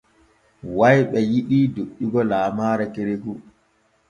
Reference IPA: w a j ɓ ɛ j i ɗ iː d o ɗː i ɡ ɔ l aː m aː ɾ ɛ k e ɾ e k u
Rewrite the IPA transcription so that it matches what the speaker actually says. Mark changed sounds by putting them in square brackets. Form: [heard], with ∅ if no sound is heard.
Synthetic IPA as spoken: w a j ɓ ɛ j i ɗ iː d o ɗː i ɡ ɔ l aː m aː ɾ ɛ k e ɾ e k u

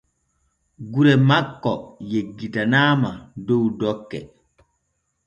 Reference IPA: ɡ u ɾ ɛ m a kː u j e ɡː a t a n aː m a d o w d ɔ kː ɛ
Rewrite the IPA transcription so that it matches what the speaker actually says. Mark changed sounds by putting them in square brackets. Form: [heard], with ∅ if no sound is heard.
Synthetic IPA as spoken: ɡ u ɾ ɛ m a kː [ɔ] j e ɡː [i] t a n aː m a d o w d ɔ kː ɛ

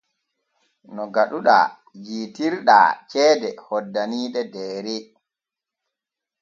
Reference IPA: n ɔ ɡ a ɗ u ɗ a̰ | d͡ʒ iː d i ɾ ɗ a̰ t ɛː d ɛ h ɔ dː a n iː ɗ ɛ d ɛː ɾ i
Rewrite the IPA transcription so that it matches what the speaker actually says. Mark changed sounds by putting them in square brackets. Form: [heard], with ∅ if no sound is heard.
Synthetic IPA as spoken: n ɔ ɡ a ɗ u ɗ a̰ | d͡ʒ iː [t] i ɾ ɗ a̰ [t͡ʃ] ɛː d ɛ h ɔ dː a n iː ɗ ɛ d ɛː ɾ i

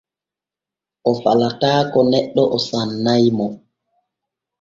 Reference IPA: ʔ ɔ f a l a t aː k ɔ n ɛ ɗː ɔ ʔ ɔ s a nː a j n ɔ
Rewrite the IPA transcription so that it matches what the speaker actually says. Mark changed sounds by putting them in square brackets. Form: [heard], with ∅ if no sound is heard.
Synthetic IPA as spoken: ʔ ɔ f a l a t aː k ɔ n ɛ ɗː ɔ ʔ ɔ s a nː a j [m] ɔ

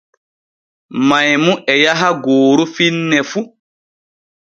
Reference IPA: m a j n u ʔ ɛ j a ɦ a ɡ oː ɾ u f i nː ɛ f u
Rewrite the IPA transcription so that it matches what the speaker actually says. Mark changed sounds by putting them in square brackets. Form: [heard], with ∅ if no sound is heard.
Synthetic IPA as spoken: m a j [m] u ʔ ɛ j a ɦ a ɡ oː ɾ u f i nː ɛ f u

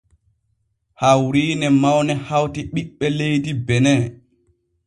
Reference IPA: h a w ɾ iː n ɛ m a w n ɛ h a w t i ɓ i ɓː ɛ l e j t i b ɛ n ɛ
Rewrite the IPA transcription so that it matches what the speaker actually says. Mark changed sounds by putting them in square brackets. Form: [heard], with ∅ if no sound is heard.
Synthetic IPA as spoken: h a w ɾ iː n ɛ m a w n ɛ h a w t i ɓ i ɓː ɛ l e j [d] i b ɛ n ɛ

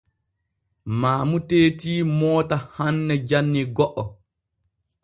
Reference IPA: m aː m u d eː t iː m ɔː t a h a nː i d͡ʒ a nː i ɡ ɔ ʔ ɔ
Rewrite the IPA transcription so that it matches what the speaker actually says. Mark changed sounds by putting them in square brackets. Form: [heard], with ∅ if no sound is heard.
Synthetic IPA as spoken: m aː m u [t] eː t iː m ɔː t a h a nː [ɛ] d͡ʒ a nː i ɡ ɔ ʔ ɔ

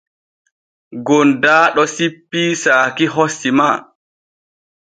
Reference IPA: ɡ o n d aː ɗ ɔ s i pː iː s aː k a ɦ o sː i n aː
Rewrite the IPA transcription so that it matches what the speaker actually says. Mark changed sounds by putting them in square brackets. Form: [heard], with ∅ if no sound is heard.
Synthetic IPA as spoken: ɡ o n d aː ɗ ɔ s i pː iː s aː k [i] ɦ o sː i [m] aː

